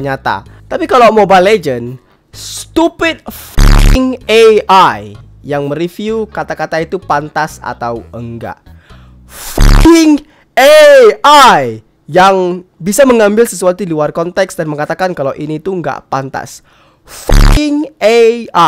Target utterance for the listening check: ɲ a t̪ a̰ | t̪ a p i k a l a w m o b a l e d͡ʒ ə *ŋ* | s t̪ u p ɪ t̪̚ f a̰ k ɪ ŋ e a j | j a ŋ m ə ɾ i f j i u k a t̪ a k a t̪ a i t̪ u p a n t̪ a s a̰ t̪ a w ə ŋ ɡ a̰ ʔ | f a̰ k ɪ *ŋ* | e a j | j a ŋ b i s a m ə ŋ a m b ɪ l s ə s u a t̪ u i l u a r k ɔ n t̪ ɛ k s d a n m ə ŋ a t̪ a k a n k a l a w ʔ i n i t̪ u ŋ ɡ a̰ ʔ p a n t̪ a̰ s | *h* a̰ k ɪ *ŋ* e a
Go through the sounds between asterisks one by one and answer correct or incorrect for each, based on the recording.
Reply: incorrect: n, correct, incorrect: f, correct

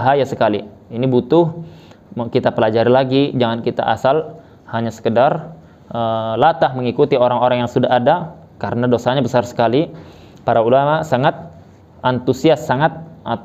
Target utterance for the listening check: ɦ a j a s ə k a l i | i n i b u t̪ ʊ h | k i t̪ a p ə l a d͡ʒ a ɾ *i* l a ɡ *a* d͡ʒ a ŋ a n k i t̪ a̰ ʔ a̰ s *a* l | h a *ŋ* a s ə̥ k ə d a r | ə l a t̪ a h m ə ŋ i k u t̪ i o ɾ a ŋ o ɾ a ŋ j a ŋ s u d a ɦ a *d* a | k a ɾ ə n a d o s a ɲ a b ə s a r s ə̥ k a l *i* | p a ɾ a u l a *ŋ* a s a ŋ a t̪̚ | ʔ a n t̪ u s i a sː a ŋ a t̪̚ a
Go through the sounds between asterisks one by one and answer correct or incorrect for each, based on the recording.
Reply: correct, incorrect: i, correct, incorrect: ɲ, correct, correct, incorrect: m

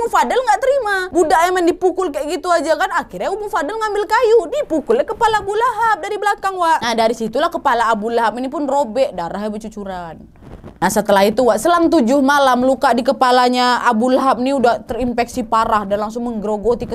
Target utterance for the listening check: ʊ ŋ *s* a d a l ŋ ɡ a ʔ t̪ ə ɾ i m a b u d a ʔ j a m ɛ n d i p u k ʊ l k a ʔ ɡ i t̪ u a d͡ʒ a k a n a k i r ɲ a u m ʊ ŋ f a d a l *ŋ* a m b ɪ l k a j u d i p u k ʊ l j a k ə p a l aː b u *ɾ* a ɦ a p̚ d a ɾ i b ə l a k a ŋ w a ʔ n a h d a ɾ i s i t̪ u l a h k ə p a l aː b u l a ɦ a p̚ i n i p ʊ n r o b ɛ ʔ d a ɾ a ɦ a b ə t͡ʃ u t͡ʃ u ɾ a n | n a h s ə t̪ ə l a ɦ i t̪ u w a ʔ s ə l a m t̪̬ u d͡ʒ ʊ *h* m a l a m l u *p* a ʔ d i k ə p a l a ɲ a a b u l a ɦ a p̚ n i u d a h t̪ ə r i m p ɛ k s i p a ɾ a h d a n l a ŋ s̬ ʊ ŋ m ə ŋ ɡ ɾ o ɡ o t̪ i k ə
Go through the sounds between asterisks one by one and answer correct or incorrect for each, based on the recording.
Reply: incorrect: f, correct, incorrect: l, correct, incorrect: k

